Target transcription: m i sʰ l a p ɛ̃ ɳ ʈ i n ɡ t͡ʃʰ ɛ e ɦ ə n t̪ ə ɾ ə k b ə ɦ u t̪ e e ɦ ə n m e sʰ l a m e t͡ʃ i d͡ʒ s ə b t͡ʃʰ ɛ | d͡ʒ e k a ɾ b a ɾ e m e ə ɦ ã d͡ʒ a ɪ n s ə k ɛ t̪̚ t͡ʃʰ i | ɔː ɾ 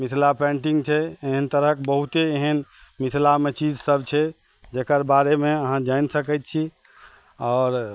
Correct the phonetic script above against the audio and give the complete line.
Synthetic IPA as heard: m i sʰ l a p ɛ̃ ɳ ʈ i ŋ ɡ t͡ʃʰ ɛ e ɦ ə n t̪ ə ɾ ə k b ə ɦ u t̪ e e ɦ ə n m i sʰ l a m e t͡ʃ i d͡ʒ s ə b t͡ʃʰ ɛ | d͡ʒ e k ə ɾ b a ɾ e m e ə ɦ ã d͡ʒ a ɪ n s ə k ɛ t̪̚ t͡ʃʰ i | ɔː ɾ